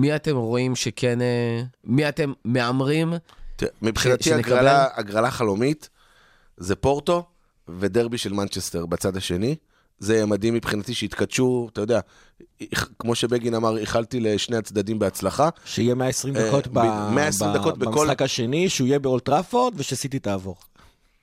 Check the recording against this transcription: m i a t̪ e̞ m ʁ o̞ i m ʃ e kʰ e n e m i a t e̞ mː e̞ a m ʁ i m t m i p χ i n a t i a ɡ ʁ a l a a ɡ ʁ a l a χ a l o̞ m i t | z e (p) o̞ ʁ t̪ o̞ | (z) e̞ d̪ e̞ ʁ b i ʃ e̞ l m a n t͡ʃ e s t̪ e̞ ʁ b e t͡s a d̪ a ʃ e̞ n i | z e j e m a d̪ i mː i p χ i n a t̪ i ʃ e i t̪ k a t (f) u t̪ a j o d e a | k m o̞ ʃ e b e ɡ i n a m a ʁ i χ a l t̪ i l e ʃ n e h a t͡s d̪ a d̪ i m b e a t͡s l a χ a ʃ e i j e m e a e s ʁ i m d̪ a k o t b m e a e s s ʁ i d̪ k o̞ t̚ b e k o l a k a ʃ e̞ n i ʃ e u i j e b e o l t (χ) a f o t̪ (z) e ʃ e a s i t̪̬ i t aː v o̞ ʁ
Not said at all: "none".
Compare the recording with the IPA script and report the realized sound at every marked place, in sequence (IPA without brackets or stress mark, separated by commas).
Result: p, v, ʃ, ʁ, v